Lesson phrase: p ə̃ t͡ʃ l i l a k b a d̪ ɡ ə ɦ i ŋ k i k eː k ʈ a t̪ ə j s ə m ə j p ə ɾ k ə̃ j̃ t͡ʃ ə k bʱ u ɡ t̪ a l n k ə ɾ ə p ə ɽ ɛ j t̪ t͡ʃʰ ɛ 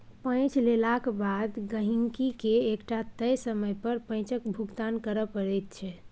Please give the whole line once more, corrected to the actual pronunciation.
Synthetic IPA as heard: p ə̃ t͡ʃ l e l a k b a d̪ ɡ ə ɦ i ŋ k i k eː k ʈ a t̪ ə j s ə m ə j p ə ɾ p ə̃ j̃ t͡ʃ ə k bʱ u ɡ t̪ a n k ə ɾ ə p ə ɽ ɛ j t̪ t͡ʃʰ ɛ

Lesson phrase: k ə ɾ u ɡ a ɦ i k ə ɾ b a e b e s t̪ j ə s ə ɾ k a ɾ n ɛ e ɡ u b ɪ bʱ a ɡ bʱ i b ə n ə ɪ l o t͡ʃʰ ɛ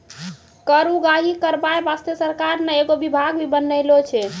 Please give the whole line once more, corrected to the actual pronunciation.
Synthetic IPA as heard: k ə ɾ u ɡ a ɦ i k ə ɾ b a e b a s t̪ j ə s ə ɾ k a ɾ n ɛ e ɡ o b i bʱ a ɡ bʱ i b ə n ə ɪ l o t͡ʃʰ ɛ

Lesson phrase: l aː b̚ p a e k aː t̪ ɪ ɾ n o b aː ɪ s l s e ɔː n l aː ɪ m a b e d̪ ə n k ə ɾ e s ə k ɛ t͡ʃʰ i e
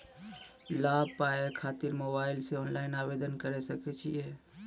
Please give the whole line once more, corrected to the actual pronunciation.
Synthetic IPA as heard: l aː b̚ p a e kʰ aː t̪ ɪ ɾ m o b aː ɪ l s e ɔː n l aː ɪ n a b e d̪ ə n k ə ɾ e s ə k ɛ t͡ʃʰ i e

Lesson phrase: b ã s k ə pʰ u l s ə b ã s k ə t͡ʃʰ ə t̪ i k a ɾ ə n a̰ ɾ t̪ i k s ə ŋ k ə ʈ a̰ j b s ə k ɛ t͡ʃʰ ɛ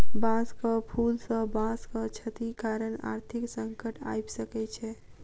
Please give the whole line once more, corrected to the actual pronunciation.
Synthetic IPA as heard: b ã s k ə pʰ u l s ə b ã s k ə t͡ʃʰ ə t̪ i k a ɾ ə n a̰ ɾ t̪ʰ i k s ə ŋ k ə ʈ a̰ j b s ə k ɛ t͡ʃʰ ɛ

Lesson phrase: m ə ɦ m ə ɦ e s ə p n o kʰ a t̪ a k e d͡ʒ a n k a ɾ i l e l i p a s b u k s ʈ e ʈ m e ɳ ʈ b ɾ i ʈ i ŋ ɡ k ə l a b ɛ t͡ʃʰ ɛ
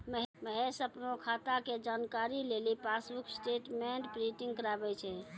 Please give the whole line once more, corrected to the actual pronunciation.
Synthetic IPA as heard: m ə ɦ m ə ɦ e s ə p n o kʰ a t̪ a k e d͡ʒ a n k a ɾ i l e l i p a s b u k s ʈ e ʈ m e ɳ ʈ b ɾ i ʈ i ŋ ɡ k ə ɾ a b ɛ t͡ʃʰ ɛ

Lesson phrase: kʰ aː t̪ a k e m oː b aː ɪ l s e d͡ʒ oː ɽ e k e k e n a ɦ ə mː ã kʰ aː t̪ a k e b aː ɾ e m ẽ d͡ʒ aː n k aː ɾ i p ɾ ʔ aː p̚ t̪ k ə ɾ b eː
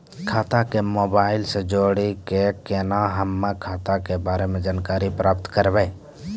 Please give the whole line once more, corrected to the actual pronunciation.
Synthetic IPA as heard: kʰ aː t̪ a k e m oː b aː ɪ l s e d͡ʒ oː ɽ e k e k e n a ɦ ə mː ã kʰ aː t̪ a k e b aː ɾ e m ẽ d͡ʒ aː n k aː ɾ i p ɾ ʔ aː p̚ t̪ k ə ɾ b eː

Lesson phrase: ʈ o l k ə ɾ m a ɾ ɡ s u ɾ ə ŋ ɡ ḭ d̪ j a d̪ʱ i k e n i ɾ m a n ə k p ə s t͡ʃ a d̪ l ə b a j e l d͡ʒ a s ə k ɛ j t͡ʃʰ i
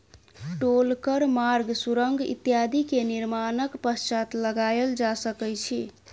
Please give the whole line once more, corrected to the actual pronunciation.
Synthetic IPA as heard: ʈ o l k ə ɾ m a ɾ ɡ s u ɾ ə ŋ ɡ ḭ t̪ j a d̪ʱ i k e n i ɾ m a n ə k p ə s t͡ʃ a t̪ l ə ɡ a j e l d͡ʒ a s ə k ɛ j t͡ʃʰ i

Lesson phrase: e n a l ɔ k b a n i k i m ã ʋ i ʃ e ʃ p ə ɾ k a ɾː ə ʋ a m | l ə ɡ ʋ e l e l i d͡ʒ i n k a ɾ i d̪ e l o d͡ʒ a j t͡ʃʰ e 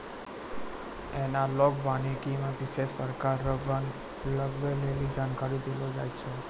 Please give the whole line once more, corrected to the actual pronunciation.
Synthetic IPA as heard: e n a l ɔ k b a n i k i m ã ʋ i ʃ e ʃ p ə ɾ k a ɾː ə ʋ a n | l ə ɡ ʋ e l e l i d͡ʒ a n k a ɾ i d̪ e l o d͡ʒ a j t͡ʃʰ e

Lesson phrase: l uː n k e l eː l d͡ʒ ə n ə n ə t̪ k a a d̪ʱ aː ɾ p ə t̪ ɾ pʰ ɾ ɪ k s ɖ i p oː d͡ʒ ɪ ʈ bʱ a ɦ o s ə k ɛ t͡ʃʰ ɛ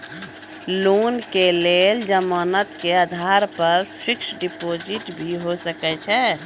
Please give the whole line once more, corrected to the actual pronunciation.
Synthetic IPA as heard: l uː n k e l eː l d͡ʒ ə m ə n ə t̪ k e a d̪ʱ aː ɾ p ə ɾ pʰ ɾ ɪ k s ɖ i p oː d͡ʒ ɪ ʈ bʱ i ɦ o s ə k ɛ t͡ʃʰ ɛ

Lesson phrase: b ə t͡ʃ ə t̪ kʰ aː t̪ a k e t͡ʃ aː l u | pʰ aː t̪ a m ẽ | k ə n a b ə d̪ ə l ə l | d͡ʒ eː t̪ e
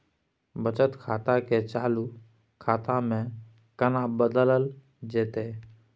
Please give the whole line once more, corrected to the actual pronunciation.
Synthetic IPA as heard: b ə t͡ʃ ə t̪ kʰ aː t̪ a k e t͡ʃ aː l u | kʰ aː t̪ a m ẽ | k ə n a b ə d̪ ə l ə l | d͡ʒ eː t̪ e

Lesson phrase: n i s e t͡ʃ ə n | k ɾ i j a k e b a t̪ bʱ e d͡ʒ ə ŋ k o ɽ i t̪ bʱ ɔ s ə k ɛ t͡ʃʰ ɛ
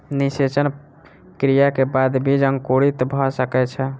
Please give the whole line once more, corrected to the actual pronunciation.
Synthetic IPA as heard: n i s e t͡ʃ ə n | k ɾ i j a k e b a d̪ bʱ i d͡ʒ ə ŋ k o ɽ i t̪ bʱ ɔ s ə k ɛ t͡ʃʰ ɛ

